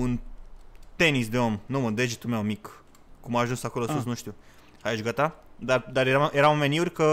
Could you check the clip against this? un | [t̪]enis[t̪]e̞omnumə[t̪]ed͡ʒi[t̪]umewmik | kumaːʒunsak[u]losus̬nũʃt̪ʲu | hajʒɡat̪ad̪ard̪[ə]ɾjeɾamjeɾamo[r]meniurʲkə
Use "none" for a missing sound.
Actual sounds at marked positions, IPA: t̪, d̪, d̪, t̪, o, a, none

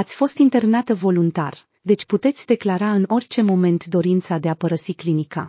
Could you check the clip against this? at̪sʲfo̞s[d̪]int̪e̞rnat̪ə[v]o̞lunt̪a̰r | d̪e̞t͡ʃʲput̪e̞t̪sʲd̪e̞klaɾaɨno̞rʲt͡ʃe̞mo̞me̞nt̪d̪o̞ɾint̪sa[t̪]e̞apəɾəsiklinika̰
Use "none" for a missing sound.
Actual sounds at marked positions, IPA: t̪, v, d̪

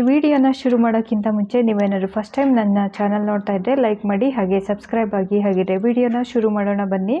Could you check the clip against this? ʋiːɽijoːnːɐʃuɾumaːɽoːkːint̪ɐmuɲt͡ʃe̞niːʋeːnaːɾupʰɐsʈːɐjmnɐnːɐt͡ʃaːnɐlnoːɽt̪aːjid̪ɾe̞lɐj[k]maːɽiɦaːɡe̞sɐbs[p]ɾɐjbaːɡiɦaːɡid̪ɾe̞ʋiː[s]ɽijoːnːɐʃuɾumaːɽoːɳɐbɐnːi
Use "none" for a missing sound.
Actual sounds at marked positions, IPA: k, k, none

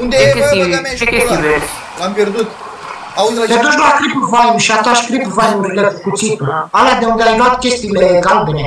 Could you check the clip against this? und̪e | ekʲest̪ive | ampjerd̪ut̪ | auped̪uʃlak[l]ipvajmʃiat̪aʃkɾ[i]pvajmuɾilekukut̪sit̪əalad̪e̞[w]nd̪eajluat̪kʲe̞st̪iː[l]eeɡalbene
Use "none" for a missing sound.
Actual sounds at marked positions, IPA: ɾ, i, u, l

